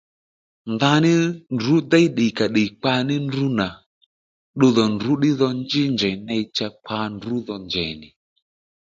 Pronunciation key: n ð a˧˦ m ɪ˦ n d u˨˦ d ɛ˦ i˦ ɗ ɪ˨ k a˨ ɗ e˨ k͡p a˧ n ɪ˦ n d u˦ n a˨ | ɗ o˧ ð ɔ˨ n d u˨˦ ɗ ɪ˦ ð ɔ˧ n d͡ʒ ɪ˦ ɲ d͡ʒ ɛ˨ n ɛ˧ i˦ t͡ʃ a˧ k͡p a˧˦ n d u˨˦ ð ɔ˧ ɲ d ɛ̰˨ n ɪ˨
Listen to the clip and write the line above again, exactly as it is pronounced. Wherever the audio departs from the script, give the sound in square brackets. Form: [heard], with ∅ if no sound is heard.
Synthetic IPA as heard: n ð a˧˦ [n] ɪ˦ n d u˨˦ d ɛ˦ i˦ ɗ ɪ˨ k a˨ ɗ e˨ k͡p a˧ n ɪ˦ n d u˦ n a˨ | ɗ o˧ ð ɔ˨ n d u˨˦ ɗ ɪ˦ ð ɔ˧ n d͡ʒ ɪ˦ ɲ d͡ʒ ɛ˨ n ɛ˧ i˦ t͡ʃ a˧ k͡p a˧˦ n d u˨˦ ð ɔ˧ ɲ [d͡ʒ] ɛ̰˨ n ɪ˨